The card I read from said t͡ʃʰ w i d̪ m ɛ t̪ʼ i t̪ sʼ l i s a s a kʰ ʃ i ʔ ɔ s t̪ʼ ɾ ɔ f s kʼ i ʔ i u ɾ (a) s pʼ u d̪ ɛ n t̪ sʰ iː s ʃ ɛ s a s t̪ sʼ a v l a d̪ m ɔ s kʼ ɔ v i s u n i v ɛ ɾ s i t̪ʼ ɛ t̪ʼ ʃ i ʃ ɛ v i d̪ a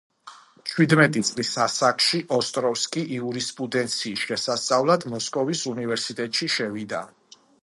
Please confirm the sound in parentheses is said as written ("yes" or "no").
no